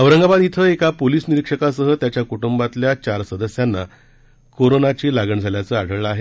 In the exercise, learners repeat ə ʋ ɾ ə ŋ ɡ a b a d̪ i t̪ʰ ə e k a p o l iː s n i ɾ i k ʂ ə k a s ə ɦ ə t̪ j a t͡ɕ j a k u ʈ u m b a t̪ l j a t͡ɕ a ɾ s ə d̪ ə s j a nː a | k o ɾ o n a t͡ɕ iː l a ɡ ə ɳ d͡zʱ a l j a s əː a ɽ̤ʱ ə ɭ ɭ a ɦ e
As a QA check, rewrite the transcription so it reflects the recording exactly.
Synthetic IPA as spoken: ə ʋ ɾ ə ŋ ɡ a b a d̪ i t̪ʰ ə e k a p o l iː s n i ɾ i k ʂ ə k a s ə ɦ ə t̪ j a t͡ɕ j a k u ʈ u m b a t̪ l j a t͡ɕ a ɾ s ə d̪ ə s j a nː a | k o ɾ o n a t͡ɕ iː l a ɡ ə ɳ d͡zʱ a l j a t͡s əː a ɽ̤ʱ ə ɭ ɭ a ɦ e